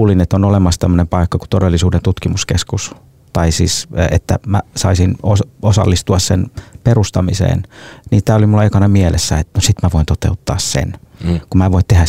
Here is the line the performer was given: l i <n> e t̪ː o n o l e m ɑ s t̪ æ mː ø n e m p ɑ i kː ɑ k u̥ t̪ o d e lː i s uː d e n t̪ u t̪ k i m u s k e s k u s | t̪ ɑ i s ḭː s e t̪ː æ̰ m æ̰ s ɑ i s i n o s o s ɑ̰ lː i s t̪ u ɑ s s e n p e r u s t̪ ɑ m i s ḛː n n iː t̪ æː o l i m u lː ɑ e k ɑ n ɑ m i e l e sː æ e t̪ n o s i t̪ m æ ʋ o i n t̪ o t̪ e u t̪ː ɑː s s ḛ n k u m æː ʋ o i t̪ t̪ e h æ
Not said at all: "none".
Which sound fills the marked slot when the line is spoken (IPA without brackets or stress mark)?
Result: n